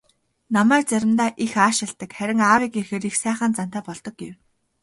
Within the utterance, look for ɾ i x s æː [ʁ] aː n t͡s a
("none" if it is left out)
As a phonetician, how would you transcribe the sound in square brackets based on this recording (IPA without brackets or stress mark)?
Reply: χ